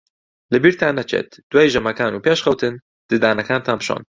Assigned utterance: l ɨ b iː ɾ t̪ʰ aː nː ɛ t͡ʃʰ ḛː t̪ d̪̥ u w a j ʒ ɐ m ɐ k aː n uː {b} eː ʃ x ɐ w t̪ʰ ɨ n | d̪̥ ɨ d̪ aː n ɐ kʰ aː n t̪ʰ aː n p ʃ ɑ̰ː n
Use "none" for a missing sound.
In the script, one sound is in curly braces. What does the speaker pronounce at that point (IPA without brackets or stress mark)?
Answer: p